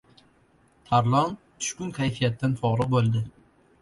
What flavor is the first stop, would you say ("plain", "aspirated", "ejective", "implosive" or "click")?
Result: aspirated